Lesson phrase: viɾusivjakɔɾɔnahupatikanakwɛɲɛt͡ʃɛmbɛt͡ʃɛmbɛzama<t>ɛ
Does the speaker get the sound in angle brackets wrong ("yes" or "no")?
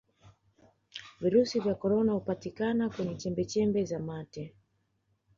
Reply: no